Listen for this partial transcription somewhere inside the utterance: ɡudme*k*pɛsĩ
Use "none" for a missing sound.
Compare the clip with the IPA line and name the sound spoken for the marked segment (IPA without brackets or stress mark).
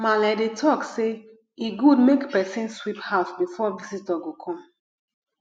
k